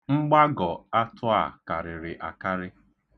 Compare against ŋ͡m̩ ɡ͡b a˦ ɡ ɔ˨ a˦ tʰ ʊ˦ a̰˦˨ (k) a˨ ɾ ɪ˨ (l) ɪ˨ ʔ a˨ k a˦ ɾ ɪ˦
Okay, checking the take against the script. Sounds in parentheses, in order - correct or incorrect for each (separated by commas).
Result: correct, incorrect